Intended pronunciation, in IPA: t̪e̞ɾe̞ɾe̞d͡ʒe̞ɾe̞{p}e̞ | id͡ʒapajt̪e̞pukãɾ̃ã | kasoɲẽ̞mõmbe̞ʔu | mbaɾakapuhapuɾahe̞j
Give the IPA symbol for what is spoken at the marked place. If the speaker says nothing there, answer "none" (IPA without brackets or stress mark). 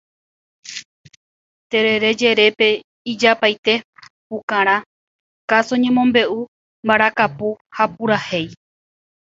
p